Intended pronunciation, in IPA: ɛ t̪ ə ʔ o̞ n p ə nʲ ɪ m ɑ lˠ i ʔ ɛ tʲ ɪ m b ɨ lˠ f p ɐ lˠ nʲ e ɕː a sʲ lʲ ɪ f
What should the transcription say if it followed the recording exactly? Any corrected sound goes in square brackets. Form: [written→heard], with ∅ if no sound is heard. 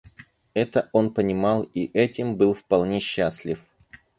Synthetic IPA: ɛ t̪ ə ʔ o̞ n p ə nʲ ɪ m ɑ lˠ i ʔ ɛ tʲ ɪ m b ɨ lˠ f p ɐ lˠ nʲ e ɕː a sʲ lʲ ɪ f